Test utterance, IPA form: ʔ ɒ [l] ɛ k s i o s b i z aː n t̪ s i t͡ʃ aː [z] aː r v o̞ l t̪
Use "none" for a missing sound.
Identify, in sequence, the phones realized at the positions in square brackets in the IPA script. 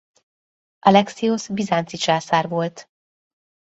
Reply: l, s

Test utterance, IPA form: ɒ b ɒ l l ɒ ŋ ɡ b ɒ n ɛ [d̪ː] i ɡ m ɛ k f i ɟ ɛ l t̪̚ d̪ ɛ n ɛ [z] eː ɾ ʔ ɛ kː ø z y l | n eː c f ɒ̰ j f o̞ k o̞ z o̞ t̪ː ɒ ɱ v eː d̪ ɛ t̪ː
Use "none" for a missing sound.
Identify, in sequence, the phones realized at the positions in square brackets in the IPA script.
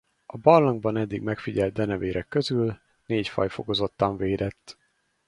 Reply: d̪ː, v

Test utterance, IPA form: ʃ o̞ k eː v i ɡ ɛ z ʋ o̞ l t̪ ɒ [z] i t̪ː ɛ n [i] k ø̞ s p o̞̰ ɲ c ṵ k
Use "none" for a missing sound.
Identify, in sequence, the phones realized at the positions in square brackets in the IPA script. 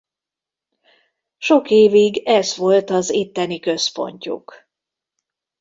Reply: z, i

